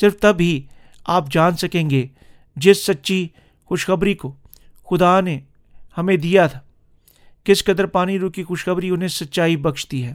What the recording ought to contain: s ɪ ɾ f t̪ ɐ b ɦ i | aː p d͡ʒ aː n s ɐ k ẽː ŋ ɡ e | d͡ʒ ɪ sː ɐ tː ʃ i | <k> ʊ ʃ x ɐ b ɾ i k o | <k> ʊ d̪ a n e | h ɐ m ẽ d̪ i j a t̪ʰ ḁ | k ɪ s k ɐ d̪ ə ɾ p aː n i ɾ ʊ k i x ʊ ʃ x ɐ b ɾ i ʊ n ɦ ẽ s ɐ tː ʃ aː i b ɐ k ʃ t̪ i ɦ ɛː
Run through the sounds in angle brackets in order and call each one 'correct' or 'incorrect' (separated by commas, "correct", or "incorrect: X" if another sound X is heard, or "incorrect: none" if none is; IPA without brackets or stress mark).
incorrect: x, incorrect: x